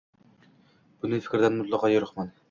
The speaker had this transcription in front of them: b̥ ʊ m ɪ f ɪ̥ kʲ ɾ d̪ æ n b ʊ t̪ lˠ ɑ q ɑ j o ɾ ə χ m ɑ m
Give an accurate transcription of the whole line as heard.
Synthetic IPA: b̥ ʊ n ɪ f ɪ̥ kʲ ɾ d̪ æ n m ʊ t̪ lˠ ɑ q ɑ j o ɾ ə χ m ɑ n